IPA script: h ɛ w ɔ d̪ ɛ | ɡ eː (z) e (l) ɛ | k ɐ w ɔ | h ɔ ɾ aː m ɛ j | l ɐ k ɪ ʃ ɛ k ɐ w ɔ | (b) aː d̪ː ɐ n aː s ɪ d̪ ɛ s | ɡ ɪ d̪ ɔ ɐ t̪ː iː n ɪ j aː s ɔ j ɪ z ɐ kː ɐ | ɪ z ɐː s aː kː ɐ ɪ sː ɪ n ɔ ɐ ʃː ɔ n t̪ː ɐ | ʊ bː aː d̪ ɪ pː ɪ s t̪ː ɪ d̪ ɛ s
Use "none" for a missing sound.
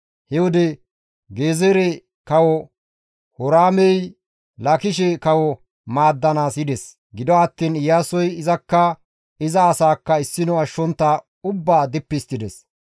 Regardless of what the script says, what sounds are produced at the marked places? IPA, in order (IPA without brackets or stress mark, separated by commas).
z, ɾ, m